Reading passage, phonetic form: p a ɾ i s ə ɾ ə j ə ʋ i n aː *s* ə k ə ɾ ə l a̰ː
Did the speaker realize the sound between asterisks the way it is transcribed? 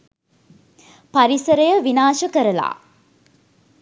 no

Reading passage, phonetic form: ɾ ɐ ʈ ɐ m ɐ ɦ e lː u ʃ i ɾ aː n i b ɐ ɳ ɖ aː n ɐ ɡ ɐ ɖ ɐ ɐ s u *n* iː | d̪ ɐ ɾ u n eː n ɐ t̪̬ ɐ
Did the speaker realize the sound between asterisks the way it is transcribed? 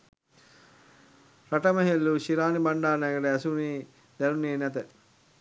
yes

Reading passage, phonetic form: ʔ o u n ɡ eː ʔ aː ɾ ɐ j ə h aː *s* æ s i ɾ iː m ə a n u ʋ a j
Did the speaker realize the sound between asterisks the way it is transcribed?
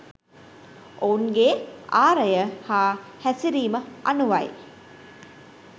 no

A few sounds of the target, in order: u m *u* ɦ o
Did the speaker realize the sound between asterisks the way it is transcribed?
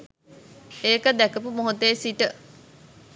no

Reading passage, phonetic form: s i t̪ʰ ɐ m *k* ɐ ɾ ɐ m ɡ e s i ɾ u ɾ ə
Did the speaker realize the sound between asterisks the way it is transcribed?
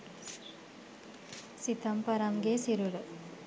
no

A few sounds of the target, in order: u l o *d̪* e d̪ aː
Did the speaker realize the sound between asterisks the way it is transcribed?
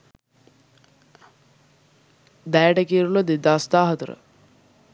yes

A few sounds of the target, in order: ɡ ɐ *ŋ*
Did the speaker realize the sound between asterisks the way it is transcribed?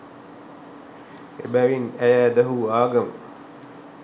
no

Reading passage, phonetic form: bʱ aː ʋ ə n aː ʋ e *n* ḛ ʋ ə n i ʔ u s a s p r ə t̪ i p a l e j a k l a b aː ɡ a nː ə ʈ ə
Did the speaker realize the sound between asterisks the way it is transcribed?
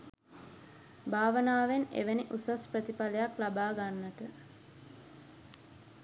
yes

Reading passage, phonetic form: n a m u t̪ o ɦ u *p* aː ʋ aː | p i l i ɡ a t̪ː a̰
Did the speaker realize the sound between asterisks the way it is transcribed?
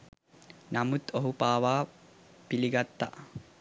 yes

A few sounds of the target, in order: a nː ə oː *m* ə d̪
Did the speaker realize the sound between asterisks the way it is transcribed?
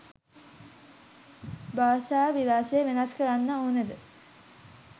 no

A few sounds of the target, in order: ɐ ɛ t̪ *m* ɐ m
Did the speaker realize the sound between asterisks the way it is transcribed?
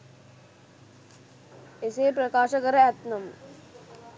no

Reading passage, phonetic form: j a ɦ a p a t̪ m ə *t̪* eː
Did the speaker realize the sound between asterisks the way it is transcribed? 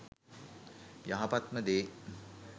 no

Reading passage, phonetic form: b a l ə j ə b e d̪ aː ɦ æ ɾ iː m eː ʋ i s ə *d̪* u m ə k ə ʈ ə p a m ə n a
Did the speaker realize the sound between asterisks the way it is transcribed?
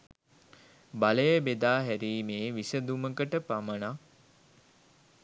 yes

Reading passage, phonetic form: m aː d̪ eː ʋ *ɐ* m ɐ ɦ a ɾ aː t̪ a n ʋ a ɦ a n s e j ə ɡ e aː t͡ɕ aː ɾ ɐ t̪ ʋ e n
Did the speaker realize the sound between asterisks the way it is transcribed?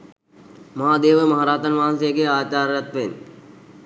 no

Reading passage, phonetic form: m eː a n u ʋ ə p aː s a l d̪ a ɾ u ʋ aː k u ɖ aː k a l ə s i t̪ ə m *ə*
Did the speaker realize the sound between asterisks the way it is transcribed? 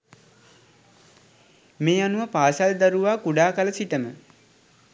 yes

